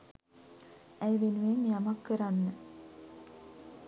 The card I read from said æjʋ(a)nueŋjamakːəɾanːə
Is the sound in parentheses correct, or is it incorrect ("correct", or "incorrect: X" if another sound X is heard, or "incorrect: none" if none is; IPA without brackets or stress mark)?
incorrect: e